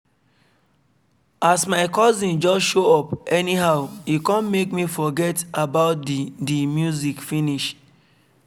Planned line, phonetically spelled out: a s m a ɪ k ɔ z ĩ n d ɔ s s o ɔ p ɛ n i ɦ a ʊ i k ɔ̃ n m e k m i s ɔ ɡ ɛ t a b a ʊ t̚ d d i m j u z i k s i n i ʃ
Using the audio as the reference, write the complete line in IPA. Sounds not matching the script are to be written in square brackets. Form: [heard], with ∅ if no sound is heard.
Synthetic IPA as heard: a s m a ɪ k ɔ z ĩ n [d͡ʒ] ɔ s [ʃ] o ɔ p ɛ n i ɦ a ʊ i k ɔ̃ n m e k m i [f] ɔ ɡ ɛ t a b a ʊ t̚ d d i m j u z i k [f] i n i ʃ